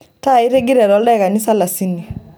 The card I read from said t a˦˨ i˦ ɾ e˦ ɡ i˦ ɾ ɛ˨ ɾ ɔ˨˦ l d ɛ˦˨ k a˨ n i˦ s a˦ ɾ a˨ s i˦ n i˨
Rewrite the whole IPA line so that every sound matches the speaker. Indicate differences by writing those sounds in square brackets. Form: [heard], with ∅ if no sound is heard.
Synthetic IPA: t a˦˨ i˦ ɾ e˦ ɡ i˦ ɾ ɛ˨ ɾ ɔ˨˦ l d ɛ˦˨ k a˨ n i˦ s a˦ [l] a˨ s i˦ n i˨